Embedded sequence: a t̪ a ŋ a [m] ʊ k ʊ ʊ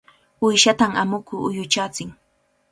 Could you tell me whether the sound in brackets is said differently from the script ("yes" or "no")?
no